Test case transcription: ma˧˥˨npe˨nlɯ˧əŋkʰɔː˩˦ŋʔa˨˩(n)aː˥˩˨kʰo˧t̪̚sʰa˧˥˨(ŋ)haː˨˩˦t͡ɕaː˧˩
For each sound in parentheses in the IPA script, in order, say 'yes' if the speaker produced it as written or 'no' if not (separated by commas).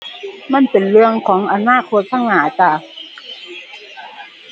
yes, yes